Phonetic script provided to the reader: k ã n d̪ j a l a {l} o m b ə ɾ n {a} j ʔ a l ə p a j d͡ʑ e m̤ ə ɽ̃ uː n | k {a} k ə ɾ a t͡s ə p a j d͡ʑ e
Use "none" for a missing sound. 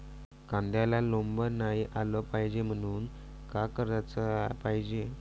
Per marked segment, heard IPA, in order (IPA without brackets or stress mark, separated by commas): l, a, a